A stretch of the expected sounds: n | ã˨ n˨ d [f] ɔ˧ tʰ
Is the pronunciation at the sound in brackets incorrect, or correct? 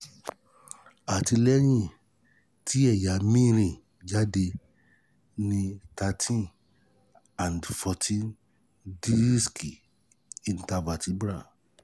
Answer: correct